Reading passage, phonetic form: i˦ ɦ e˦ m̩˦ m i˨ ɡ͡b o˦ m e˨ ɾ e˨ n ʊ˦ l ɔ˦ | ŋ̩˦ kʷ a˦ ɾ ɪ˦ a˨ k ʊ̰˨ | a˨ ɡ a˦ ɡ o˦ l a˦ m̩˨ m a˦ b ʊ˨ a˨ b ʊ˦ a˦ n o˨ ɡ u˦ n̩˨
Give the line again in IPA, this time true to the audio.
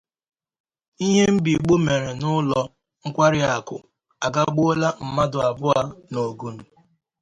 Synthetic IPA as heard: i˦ ɦ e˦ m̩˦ b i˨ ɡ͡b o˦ m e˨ ɾ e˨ n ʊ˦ l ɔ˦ | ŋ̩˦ kʷ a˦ ɾ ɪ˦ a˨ k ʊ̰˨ | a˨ ɡ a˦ ɡ͡b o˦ l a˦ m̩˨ m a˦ d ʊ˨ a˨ b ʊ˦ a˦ n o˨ ɡ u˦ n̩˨